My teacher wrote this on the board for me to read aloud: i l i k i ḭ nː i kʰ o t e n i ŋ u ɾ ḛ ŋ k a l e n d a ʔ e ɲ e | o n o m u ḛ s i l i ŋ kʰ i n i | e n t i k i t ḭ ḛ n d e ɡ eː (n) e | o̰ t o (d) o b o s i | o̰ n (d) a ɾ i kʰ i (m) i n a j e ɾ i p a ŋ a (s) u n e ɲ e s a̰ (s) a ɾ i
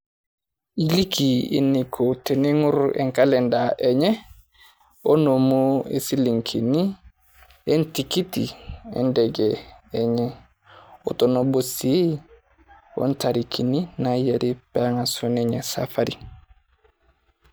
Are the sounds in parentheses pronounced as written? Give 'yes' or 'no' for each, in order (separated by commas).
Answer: no, no, no, no, yes, no